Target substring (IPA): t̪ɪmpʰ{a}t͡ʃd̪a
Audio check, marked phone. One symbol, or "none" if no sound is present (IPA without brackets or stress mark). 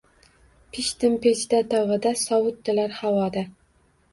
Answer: e